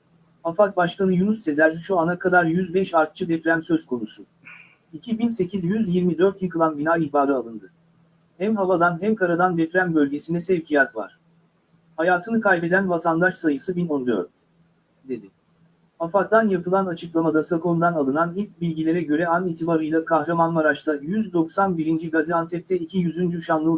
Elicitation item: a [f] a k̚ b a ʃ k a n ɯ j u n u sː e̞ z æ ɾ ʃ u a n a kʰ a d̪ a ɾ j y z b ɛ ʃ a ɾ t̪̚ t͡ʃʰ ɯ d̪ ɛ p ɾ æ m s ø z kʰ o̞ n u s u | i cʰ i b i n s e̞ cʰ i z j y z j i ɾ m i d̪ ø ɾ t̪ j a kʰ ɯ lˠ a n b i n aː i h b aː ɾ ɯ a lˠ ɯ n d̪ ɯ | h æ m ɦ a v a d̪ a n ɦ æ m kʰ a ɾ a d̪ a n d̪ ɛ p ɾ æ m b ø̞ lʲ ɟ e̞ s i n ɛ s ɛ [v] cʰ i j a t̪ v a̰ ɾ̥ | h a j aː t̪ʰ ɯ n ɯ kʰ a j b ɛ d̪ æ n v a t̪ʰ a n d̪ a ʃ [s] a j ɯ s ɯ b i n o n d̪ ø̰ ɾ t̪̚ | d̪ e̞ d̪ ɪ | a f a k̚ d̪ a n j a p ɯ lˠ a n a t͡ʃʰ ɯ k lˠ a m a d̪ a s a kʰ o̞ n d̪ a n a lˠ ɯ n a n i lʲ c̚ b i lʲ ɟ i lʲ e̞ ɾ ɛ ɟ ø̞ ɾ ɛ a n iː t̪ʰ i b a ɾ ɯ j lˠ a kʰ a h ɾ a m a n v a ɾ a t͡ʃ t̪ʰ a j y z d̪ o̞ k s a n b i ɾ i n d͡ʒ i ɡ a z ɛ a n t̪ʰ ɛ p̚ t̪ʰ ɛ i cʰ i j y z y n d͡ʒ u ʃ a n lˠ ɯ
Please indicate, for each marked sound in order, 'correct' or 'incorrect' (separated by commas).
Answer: correct, correct, correct